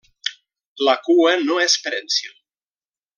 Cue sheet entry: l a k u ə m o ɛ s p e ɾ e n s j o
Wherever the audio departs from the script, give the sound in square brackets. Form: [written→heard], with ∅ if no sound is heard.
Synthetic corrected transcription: l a k u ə [m→n] o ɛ s p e ɾ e n s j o

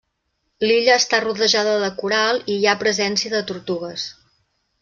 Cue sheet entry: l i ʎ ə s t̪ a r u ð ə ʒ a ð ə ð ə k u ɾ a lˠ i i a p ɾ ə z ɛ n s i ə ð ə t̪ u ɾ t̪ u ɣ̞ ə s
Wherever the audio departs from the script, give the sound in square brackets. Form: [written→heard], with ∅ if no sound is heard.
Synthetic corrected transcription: l i ʎ [ə→əː] s t̪ a r u ð ə ʒ a ð ə ð ə k u ɾ a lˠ i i a p ɾ ə z ɛ n s i ə ð ə t̪ u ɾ t̪ u ɣ̞ ə s

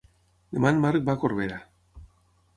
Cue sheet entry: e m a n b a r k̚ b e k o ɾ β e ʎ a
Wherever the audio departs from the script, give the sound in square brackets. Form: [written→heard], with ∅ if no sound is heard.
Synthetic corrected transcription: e m a n [b→m] a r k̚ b [e→a] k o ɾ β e [ʎ→ɾ] a

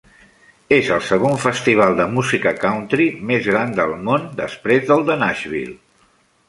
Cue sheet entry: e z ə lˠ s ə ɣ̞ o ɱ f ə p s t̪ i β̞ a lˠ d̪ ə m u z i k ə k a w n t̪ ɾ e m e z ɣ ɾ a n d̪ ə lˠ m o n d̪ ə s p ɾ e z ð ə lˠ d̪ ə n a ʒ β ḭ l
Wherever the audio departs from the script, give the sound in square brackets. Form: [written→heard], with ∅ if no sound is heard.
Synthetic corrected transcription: e z ə lˠ s ə ɣ̞ o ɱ f ə [p→∅] s t̪ i β̞ a lˠ d̪ ə m u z i k ə k a w n t̪ ɾ [e→i] m e z ɣ ɾ a n d̪ ə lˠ m o n d̪ ə s p ɾ e z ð ə lˠ d̪ ə n a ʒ β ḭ l

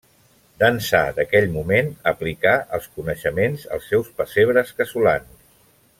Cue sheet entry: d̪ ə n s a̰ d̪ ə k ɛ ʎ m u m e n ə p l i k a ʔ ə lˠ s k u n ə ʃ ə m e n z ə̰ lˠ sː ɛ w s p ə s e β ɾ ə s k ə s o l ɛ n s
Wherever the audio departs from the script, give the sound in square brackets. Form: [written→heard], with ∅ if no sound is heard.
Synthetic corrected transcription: d̪ ə n s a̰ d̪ ə k ɛ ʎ m u m e n ə p l i k a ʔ ə lˠ s k u n ə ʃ ə m e n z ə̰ lˠ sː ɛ w s p ə s e β ɾ ə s k ə s [o→u] l [ɛ→a] n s

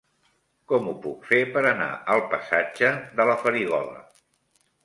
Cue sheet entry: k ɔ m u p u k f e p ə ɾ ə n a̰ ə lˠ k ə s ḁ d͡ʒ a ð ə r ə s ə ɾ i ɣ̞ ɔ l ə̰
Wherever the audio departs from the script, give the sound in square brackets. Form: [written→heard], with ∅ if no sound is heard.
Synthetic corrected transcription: k ɔ m u p u k f e p ə ɾ ə n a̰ ə lˠ [k→p] ə s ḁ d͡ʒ [a→ə] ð ə [r→l] ə [s→f] ə ɾ i ɣ̞ ɔ l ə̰

